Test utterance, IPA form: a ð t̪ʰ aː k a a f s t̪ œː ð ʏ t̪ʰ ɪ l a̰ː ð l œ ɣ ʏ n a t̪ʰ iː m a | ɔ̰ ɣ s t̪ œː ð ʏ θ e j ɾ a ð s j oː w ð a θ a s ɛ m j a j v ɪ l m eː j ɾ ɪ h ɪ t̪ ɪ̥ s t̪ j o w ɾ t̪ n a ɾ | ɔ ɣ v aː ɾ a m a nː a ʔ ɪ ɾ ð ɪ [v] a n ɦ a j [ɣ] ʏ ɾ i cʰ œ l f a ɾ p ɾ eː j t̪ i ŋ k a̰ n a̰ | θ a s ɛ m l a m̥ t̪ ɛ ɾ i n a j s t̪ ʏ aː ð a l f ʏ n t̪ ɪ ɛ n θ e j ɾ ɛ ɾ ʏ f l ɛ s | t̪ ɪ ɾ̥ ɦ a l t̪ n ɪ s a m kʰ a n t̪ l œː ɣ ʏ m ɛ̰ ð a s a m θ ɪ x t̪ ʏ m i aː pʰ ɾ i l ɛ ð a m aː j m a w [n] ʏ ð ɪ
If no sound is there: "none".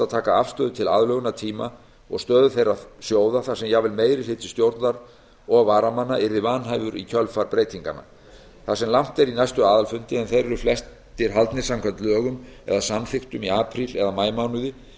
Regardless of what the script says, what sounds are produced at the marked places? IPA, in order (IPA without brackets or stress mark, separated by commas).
v, v, n